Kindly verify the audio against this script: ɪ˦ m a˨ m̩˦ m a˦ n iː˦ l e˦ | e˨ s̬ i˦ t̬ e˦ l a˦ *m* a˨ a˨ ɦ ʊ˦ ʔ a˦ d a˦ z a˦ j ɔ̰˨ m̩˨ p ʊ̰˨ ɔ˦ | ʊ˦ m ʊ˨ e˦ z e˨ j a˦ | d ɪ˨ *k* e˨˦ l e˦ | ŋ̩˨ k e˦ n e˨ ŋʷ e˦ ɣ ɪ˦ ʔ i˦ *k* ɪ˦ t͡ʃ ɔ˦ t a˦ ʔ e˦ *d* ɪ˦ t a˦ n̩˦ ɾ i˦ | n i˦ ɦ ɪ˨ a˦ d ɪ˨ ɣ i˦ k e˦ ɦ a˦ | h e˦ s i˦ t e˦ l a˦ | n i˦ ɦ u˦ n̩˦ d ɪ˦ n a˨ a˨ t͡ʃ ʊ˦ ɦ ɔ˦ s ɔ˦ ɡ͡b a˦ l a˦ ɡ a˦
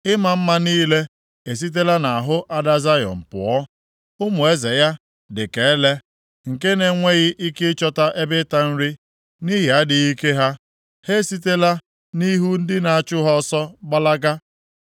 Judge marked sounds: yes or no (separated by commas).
no, yes, yes, no